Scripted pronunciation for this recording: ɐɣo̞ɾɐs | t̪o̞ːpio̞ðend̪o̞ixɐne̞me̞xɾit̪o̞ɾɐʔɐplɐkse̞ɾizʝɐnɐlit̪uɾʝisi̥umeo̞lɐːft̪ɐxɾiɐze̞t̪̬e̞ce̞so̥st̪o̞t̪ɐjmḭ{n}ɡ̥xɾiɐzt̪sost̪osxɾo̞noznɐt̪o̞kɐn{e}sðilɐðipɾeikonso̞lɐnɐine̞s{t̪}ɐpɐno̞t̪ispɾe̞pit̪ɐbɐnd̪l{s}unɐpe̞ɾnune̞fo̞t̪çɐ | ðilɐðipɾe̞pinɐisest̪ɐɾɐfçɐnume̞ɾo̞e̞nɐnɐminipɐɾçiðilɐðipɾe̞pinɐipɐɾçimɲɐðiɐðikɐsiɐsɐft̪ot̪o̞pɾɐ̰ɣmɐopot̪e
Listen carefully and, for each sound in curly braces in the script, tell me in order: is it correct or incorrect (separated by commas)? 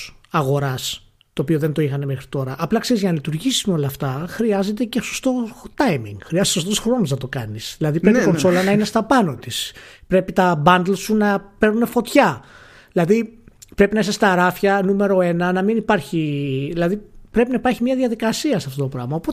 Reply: incorrect, incorrect, correct, correct